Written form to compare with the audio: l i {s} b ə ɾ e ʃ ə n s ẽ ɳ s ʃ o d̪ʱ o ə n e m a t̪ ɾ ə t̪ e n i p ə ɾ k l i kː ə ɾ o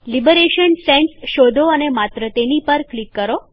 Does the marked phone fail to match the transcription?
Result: yes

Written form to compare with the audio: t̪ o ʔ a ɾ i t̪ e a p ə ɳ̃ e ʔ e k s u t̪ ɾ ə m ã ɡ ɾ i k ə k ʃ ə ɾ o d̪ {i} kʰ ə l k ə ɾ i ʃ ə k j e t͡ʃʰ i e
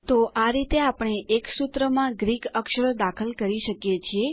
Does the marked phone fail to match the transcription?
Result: yes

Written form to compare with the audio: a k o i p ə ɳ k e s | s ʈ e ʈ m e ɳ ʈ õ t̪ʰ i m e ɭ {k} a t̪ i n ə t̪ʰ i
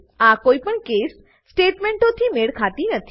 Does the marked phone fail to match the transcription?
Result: yes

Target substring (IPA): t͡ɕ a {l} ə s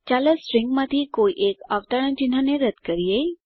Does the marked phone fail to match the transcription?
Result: no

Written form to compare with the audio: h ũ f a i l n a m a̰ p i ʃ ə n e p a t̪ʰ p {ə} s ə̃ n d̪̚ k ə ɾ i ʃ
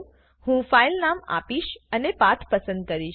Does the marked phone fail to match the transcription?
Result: no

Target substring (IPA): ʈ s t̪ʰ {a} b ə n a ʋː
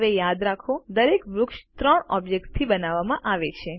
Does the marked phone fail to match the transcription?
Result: yes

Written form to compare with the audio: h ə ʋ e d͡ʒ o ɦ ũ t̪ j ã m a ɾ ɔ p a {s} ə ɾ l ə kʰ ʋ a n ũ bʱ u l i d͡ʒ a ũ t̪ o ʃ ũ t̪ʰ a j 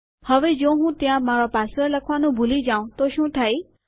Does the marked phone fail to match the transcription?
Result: no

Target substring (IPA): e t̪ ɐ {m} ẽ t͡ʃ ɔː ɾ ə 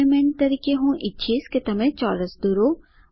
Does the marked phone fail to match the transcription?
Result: no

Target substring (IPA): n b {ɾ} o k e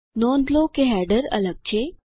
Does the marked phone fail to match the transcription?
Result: yes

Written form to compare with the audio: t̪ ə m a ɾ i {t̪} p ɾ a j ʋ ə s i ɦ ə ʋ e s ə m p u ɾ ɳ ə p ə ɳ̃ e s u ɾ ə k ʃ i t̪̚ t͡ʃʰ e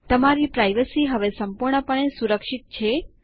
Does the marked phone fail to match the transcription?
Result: yes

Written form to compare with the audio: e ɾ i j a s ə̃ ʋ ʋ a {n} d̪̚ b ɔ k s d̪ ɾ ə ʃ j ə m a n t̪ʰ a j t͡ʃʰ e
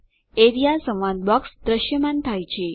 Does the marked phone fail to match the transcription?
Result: no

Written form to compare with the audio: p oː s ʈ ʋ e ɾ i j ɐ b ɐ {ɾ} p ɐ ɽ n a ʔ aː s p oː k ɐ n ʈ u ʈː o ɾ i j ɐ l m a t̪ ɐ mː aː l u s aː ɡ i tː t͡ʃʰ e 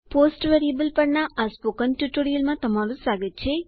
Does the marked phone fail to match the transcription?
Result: yes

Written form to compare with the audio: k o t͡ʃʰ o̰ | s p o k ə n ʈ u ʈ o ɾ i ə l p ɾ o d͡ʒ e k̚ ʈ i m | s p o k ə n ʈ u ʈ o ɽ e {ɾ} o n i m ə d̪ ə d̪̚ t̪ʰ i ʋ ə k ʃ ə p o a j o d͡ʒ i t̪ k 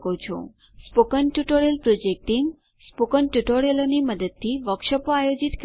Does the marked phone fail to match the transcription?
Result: yes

